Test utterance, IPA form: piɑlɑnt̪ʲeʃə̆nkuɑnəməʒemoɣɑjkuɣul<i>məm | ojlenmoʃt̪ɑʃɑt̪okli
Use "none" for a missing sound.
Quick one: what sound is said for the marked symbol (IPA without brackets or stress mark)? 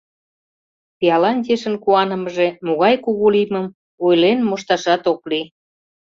i